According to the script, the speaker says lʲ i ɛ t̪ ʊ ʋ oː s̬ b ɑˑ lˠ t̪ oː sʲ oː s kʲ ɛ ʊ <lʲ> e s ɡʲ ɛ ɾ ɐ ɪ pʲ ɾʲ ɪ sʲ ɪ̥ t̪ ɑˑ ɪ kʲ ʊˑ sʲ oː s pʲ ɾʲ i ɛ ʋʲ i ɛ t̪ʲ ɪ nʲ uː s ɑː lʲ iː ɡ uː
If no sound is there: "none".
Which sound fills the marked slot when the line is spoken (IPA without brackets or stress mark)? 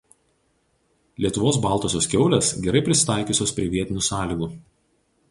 lʲ